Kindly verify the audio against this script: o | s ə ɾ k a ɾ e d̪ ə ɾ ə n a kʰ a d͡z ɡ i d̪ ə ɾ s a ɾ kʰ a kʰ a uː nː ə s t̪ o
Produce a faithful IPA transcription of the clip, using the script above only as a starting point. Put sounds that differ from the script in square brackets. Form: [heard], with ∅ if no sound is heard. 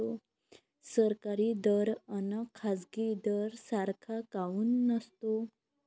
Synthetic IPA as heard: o | s ə ɾ k a ɾ [i] d̪ ə ɾ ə n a kʰ a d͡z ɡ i d̪ ə ɾ s a ɾ kʰ a [k] a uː nː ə s t̪ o